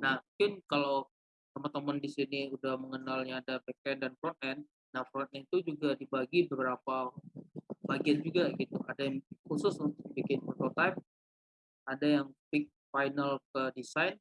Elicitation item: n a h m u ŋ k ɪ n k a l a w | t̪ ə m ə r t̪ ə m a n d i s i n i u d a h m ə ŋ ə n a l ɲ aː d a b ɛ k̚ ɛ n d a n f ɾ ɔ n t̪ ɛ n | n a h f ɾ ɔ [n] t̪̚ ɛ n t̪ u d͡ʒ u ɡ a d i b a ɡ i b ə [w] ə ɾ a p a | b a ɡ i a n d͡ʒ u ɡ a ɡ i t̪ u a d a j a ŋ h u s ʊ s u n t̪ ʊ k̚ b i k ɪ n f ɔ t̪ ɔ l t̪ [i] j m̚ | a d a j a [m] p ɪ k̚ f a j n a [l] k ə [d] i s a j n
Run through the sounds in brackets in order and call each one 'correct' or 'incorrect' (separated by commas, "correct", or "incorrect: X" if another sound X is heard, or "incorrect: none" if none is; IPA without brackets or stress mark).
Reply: correct, incorrect: b, incorrect: a, incorrect: ŋ, correct, correct